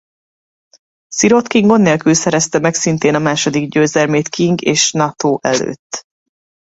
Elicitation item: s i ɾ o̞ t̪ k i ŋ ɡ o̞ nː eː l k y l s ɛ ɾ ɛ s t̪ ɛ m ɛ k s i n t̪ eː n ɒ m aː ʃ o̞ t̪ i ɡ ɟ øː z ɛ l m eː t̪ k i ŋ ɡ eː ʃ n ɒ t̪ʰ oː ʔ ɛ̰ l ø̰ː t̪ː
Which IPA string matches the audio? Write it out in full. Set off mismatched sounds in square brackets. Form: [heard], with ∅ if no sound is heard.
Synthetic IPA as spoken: s i ɾ o̞ t̪ k i ŋ ɡ o̞ nː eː l k y l s ɛ ɾ ɛ s t̪ ɛ m ɛ k s i n t̪ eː n ɒ m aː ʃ o̞ [d̪] i ɡ ɟ øː z ɛ l m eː t̪ k i ŋ ɡ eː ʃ n ɒ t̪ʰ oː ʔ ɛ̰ l ø̰ː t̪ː